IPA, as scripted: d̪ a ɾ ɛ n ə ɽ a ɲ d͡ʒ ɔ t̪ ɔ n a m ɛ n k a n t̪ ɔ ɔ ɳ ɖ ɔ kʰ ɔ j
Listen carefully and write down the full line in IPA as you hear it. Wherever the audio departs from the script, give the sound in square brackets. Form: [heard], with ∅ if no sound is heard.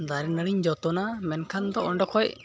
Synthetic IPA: d̪ a ɾ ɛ n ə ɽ [i] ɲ d͡ʒ ɔ t̪ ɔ n a m ɛ n [kʰ] a n [d̪] ɔ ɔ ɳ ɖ ɔ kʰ ɔ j